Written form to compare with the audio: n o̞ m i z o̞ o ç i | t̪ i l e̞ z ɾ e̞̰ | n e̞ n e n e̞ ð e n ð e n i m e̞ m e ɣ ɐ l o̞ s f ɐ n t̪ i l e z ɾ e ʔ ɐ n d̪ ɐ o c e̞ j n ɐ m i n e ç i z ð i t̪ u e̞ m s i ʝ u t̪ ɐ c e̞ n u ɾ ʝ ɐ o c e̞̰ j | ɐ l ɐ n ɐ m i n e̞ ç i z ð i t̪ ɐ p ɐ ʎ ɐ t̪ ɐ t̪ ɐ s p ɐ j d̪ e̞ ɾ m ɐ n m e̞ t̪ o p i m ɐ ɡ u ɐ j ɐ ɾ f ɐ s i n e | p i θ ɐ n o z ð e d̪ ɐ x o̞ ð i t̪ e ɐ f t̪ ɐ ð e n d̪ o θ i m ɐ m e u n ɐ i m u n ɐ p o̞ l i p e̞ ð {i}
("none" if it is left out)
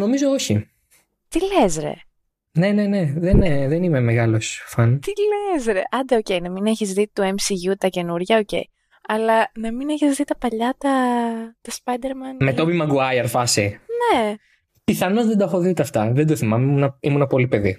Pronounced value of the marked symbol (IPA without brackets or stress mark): i